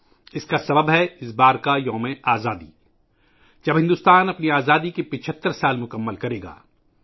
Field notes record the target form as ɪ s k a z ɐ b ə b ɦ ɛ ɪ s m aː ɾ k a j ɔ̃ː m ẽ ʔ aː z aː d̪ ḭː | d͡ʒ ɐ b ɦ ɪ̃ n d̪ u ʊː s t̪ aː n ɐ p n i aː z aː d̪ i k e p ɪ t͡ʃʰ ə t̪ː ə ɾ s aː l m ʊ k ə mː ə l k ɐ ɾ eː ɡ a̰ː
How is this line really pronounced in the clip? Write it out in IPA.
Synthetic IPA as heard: ɪ s k a s ɐ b ə b ɦ ɛ ɪ s b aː ɾ k a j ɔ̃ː m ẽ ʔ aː z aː d̪ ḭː | d͡ʒ ɐ b ɦ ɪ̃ n d̪ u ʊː s t̪ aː n ɐ p n i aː z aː d̪ i k e p ɪ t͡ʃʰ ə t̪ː ə ɾ s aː l m ʊ k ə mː ə l k ɐ ɾ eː ɡ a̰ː